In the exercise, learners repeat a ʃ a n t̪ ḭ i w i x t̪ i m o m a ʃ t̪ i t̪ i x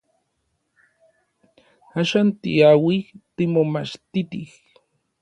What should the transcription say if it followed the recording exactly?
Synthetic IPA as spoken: a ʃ a n t̪ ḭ a w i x t̪ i m o m a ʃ t̪ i t̪ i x